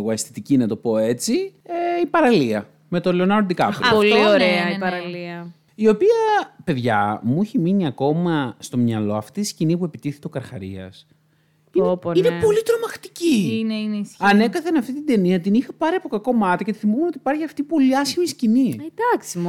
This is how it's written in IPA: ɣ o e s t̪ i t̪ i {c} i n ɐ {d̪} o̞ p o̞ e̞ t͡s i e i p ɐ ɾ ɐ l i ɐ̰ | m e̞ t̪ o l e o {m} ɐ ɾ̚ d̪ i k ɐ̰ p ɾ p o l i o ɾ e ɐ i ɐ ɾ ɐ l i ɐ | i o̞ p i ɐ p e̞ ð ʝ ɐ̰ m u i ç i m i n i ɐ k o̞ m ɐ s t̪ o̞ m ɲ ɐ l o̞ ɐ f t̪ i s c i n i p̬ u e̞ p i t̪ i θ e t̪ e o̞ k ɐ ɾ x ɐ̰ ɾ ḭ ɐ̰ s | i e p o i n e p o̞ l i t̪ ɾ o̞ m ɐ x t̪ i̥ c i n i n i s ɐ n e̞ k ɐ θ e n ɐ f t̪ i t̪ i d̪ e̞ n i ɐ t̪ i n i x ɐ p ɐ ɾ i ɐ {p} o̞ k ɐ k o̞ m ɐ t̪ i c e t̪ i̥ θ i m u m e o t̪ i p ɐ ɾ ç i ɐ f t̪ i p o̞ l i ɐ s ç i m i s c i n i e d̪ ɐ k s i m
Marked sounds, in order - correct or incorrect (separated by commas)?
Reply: correct, incorrect, incorrect, correct